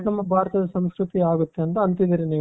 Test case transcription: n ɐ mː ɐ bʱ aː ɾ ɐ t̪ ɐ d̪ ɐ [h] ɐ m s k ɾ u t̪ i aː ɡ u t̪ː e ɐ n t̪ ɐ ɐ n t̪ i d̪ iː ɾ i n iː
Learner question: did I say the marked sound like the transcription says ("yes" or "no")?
no